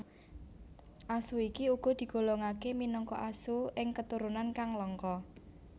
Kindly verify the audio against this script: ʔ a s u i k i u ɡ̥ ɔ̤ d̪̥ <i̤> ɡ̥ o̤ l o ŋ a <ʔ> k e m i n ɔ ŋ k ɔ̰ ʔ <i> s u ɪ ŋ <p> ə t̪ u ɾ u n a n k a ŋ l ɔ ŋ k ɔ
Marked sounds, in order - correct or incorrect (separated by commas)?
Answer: correct, incorrect, incorrect, incorrect